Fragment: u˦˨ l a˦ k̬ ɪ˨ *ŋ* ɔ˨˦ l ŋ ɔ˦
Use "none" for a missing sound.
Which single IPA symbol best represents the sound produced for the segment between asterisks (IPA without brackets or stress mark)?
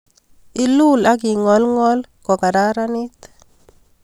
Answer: ŋ